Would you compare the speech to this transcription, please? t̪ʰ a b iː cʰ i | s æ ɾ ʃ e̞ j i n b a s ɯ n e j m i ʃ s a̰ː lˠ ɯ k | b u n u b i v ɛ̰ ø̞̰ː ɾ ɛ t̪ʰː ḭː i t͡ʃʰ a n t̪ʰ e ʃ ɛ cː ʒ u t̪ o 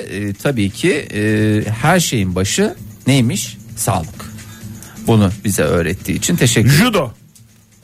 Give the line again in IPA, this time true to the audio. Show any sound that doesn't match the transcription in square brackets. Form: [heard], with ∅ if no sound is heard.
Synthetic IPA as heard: t̪ʰ a b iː cʰ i | [h] æ ɾ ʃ e̞ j i n b a [ʃ] ɯ n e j m i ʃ s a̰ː lˠ ɯ k | b u n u b i [z] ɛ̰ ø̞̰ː ɾ ɛ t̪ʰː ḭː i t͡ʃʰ [i] n t̪ʰ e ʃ ɛ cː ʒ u [d̪] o